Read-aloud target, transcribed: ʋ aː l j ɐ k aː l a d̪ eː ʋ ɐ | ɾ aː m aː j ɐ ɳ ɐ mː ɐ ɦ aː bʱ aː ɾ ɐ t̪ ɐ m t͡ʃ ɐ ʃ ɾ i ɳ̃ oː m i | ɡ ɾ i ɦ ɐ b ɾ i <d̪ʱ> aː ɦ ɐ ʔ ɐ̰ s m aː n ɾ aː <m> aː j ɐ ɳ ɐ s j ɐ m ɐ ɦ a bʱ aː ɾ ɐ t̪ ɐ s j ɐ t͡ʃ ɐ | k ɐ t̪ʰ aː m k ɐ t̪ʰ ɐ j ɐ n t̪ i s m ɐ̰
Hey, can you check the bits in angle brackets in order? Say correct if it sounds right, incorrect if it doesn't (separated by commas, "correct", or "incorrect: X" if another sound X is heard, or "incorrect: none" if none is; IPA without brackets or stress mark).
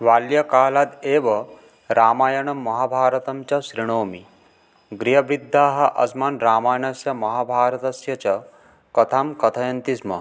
incorrect: d̪ʱː, correct